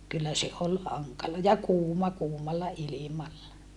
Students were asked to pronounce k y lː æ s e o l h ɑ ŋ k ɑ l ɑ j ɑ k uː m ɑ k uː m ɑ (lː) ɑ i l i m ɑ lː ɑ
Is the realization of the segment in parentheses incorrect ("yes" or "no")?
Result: no